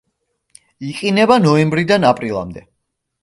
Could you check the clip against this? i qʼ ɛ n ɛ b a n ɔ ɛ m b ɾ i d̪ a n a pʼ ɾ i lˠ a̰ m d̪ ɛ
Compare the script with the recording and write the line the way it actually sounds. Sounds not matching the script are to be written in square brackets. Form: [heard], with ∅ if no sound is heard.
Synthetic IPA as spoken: i qʼ [i] n ɛ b a n ɔ ɛ m b ɾ i d̪ a n a pʼ ɾ i lˠ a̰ m d̪ ɛ